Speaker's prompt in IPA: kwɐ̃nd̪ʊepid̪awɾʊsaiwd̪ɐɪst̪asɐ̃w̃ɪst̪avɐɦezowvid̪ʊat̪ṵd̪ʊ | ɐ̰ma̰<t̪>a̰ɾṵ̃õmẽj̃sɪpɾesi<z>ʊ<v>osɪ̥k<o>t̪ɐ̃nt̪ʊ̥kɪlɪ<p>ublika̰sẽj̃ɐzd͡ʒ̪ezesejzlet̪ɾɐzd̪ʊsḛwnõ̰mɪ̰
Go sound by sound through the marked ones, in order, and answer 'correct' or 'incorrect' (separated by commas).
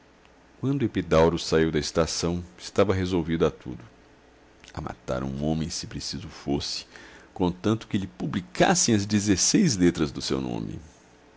correct, correct, incorrect, incorrect, correct